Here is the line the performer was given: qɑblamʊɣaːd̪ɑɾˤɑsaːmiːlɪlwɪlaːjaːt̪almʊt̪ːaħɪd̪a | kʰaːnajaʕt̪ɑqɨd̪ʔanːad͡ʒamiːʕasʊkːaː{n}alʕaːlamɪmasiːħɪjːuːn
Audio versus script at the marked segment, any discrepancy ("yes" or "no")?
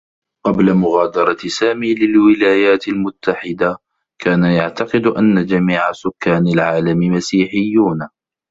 no